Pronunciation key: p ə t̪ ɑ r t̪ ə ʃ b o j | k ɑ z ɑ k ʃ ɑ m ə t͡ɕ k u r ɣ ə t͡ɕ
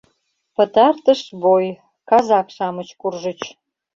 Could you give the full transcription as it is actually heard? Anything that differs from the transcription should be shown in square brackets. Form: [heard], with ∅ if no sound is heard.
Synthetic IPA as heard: p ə t̪ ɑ r t̪ ə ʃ b o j | k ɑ z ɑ k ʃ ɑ m ə t͡ɕ k u r [ʒ] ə t͡ɕ